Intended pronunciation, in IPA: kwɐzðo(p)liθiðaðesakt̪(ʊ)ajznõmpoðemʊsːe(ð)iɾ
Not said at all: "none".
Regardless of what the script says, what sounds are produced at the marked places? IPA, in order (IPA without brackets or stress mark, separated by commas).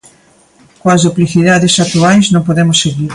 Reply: p, u, ɣ